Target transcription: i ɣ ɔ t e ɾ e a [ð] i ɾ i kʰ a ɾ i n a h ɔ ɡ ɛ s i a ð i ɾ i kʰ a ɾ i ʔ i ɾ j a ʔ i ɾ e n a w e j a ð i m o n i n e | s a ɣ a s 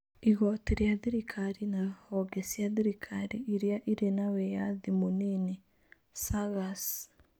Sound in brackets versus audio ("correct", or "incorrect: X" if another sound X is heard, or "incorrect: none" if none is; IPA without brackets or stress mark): correct